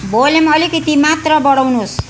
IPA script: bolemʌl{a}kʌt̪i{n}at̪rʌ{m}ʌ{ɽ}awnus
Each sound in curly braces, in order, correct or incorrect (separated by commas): incorrect, incorrect, incorrect, correct